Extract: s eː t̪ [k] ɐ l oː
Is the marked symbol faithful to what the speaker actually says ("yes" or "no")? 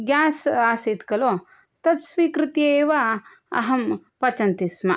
yes